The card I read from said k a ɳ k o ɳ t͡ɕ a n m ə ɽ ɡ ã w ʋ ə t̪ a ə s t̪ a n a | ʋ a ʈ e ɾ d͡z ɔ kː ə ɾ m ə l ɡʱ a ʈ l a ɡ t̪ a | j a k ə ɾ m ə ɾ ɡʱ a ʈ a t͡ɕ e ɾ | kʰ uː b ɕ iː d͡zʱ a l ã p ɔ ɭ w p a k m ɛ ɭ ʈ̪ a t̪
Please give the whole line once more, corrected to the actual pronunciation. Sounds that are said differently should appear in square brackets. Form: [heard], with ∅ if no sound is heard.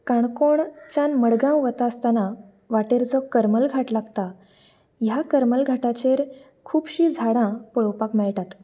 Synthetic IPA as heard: k a ɳ k o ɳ t͡ɕ a n m ə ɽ ɡ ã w ʋ ə t̪ a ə s t̪ a n a | ʋ a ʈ e ɾ d͡z ɔ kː ə ɾ m ə l ɡʱ a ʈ l a ɡ t̪ a | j a k ə ɾ m ə [l] ɡʱ a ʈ a t͡ɕ e ɾ | kʰ uː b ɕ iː d͡zʱ a [ɽ] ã p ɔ ɭ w p a k m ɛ ɭ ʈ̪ a t̪